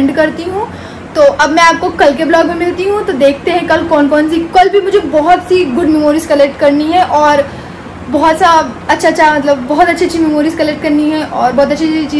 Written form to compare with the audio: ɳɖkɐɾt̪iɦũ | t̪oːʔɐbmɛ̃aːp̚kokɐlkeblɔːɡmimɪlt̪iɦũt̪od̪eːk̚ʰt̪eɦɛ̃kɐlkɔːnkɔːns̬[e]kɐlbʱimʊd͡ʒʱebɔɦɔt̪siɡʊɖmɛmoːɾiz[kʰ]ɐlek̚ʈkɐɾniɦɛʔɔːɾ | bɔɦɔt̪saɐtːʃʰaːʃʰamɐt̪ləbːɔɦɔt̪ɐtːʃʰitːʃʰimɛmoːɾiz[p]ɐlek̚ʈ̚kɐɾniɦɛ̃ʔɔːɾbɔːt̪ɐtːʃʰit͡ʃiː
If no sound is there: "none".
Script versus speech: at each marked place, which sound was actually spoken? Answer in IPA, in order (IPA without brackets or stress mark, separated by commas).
i, k, k